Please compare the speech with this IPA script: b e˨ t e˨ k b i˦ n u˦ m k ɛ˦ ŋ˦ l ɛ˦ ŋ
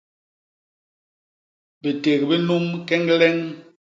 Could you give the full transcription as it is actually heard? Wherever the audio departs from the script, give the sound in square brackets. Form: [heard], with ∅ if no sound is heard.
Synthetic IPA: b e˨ t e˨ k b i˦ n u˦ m k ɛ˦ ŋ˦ l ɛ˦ ŋ